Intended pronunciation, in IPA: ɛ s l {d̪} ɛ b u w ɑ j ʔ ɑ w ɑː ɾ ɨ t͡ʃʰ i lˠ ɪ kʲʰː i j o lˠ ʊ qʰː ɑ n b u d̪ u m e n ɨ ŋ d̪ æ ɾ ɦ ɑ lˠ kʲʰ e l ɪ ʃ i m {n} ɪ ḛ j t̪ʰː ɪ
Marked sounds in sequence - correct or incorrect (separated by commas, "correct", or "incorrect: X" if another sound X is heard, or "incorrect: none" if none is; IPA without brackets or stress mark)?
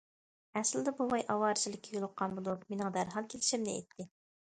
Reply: correct, correct